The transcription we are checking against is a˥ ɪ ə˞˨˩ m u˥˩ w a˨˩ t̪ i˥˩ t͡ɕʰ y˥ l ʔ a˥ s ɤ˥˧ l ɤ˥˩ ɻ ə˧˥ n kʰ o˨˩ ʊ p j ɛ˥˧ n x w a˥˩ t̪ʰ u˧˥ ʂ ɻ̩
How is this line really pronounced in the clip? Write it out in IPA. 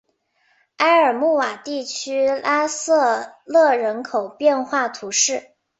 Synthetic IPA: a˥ ɪ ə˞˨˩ m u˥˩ w a˨˩ t̪ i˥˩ t͡ɕʰ y˥ l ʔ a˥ s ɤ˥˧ l ɤ˥˩ ɻ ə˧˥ n kʰ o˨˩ ʊ p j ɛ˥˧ n x w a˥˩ t̪ʰ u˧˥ ʂ ɻ̩